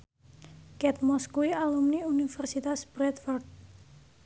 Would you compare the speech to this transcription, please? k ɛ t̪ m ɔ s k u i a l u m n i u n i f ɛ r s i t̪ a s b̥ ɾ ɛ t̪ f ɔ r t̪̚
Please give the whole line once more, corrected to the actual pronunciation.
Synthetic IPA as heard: k ɛ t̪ m ɔ s k u i a l u m n i u n i f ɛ r s i t̪ a s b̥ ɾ ɛ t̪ f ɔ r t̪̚